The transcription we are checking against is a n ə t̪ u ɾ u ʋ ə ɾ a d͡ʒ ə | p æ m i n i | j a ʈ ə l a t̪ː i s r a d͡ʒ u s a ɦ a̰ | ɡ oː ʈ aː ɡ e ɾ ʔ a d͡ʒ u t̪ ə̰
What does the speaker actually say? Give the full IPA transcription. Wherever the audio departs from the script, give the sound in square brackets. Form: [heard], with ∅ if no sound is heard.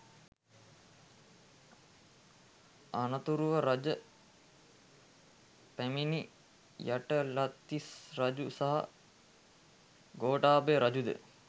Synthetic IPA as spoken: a n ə t̪ u ɾ u ʋ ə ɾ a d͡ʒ ə | p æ m i n i | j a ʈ ə l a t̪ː i s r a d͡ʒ u s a ɦ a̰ | ɡ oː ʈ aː [b] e ɾ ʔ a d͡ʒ u [d̪] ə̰